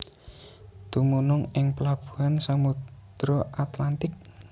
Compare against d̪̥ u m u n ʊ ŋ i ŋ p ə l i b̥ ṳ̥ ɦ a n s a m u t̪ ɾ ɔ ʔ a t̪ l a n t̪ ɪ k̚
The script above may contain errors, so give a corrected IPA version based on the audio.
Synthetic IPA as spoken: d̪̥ u m u n ʊ ŋ ɪ ŋ p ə l a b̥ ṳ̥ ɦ a n s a m u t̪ ɾ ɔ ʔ a t̪ l a n t̪ ɪ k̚